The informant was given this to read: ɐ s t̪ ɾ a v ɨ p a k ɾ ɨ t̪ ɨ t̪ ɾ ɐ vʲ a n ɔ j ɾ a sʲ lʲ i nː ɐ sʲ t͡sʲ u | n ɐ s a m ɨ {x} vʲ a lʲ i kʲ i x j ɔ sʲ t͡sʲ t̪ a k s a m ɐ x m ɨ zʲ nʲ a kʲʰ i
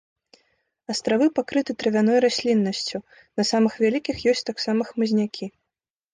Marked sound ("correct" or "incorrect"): correct